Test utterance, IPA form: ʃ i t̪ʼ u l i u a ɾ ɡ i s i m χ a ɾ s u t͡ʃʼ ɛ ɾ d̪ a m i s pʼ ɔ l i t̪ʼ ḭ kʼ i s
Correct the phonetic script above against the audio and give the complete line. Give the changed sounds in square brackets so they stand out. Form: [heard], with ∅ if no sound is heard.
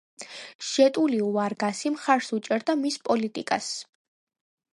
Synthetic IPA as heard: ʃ [ɛ] t̪ʼ u l i u a ɾ ɡ [a] s i m χ a ɾ s u t͡ʃʼ ɛ ɾ d̪ a m i s pʼ ɔ l i t̪ʼ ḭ kʼ [a] s